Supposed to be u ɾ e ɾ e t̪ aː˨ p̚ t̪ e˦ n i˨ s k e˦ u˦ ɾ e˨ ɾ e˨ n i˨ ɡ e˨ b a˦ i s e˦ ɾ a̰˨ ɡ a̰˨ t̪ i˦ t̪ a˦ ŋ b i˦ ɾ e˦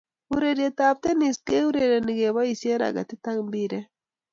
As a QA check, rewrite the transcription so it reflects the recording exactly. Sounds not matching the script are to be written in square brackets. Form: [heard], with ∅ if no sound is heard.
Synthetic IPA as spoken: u ɾ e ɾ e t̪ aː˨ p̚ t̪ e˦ n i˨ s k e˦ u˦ ɾ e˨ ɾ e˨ n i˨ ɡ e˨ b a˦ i s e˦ ɾ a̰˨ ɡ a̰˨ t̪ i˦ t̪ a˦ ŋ b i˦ ɾ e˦

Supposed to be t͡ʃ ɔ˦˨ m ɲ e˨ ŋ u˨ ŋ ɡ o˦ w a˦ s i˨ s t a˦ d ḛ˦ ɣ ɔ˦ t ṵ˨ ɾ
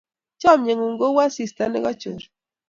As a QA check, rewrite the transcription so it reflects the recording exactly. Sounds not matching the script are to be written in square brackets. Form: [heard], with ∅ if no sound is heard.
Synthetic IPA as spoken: t͡ʃ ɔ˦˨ m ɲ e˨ ŋ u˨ ŋ ɡ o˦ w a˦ s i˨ s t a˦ [n] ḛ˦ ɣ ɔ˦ [t͡ʃ] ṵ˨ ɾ

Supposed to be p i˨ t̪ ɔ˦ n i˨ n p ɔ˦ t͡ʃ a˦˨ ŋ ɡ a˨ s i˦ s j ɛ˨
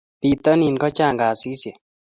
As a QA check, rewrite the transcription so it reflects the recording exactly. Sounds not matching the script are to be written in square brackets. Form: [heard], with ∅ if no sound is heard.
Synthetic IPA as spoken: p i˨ t̪ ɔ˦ n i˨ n [k] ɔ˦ t͡ʃ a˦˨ ŋ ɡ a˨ s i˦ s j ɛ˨

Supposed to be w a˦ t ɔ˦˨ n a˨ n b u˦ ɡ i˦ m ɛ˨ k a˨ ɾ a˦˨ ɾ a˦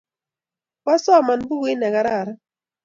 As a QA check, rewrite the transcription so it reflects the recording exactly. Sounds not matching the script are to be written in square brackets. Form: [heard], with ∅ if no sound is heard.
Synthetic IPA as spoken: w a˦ [s] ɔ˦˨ [m] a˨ n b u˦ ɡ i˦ [n] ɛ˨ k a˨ ɾ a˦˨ ɾ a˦

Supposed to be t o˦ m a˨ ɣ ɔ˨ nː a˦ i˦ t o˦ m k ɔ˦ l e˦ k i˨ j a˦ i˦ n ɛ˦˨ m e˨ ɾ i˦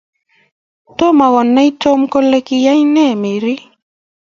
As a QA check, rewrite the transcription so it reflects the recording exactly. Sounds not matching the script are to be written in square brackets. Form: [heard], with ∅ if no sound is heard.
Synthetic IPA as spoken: t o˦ m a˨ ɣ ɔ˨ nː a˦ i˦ t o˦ m k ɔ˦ l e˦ k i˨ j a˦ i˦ n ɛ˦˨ m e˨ ɾ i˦

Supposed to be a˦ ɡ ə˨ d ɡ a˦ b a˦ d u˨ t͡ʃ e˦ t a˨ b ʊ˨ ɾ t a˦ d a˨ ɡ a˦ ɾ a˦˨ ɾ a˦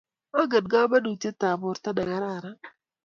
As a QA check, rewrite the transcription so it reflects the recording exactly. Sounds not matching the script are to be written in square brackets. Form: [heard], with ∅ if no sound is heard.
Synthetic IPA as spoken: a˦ ɡ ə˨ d ɡ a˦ b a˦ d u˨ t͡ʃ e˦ t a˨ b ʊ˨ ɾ t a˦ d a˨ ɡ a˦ ɾ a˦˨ ɾ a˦

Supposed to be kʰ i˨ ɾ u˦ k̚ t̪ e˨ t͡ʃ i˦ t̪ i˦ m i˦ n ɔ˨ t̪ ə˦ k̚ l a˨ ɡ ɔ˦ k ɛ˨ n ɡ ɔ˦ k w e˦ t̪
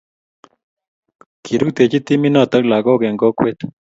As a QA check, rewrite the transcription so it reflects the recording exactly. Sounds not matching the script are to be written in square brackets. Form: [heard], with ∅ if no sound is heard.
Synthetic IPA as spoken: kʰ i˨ ɾ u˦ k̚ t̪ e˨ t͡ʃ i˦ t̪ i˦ m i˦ n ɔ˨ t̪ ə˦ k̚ l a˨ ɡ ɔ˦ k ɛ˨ [ŋ] ɡ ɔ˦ k w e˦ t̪

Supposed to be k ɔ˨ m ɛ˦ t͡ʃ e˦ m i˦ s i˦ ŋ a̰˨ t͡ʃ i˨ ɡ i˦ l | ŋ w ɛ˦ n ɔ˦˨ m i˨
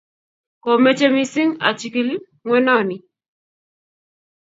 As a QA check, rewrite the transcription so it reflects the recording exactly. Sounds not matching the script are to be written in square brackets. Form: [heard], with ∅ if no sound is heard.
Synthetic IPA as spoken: k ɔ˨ m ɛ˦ t͡ʃ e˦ m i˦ s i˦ ŋ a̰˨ t͡ʃ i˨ [k] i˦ l | ŋ w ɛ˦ n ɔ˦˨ [n] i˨

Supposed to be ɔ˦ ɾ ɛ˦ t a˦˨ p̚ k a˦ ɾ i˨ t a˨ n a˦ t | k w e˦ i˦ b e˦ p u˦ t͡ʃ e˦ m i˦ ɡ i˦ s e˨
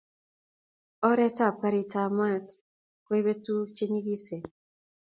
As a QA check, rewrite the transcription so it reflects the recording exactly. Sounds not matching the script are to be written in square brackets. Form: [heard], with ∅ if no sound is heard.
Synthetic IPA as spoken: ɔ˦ ɾ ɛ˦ t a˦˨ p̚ k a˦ ɾ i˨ t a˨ [m] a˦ t | k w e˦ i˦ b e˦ [t] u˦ t͡ʃ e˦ [ɲ] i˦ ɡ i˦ s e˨

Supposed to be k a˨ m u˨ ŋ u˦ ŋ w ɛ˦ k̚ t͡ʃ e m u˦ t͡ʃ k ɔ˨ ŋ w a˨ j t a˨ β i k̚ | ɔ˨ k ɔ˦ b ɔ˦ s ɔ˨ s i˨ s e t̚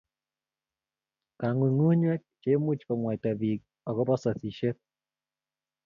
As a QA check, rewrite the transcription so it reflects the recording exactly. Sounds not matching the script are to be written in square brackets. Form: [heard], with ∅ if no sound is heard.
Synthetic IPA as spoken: k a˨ [ŋ] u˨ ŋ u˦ [ɲ] w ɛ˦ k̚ t͡ʃ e m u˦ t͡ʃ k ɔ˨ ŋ w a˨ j t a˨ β i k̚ | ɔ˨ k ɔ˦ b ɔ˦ s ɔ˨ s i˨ [ʃ] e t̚

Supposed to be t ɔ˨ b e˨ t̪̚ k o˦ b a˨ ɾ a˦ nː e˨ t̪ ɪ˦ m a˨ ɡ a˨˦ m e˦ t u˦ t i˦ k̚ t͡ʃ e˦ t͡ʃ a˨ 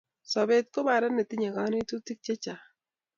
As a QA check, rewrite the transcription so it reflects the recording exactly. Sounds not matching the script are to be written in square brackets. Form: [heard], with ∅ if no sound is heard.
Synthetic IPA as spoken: [s] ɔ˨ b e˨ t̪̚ k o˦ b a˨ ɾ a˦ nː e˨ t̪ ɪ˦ [ɲ] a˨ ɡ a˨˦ [n] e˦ t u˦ t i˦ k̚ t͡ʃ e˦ t͡ʃ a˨

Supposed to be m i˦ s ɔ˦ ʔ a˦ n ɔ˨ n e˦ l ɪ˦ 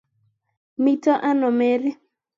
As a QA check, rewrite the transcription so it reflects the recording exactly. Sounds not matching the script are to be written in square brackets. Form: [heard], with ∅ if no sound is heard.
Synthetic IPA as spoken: m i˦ [t] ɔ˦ ʔ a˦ n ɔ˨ [m] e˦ [ɾ] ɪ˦

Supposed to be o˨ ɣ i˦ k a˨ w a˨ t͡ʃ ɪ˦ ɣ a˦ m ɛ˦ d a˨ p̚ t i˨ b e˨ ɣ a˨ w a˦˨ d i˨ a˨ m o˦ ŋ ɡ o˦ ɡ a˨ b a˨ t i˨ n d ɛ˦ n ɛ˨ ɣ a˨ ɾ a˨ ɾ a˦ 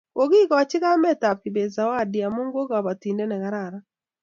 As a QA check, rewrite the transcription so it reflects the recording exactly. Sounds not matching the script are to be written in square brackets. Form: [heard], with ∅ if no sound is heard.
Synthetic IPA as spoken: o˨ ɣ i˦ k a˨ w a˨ t͡ʃ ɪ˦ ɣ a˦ m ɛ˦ [t] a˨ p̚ [k] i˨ b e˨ [z] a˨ w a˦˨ d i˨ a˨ m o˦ ŋ ɡ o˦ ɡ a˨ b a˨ t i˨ n d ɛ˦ n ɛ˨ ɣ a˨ ɾ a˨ ɾ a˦

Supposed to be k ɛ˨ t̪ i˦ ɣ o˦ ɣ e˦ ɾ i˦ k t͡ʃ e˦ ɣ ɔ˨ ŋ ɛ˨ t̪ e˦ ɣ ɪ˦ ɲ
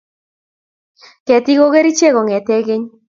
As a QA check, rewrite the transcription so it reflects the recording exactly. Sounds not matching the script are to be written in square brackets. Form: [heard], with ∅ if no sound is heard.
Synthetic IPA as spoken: k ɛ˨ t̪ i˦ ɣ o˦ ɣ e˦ ɾ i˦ [∅] t͡ʃ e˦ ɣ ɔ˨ ŋ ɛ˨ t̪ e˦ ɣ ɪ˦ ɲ

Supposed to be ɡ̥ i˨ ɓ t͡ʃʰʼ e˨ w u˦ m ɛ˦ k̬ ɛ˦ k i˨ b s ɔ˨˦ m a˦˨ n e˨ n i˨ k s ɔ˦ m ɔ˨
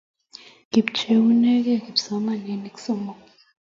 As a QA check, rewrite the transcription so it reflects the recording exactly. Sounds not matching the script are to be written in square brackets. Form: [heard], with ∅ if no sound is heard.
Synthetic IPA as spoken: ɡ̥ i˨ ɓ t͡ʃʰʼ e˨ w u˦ [n] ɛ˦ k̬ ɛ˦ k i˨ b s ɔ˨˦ m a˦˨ n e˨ n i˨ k s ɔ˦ m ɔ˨

